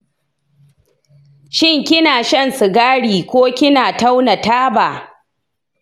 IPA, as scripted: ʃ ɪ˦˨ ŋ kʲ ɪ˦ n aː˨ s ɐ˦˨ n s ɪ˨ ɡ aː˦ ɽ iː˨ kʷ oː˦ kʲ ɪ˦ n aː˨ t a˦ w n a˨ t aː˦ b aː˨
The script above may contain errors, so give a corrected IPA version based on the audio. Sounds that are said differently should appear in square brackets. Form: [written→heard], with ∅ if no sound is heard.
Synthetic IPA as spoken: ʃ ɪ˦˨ ŋ kʲ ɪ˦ n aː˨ [s→ʃ] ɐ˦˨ n s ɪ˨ ɡ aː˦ ɽ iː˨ kʷ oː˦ kʲ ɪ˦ n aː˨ t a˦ w n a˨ t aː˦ b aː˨